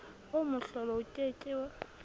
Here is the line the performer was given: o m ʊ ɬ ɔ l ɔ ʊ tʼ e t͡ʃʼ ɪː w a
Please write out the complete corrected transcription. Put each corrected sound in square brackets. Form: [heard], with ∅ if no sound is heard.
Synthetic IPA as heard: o m ʊ ɬ ɔ l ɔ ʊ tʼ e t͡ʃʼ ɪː w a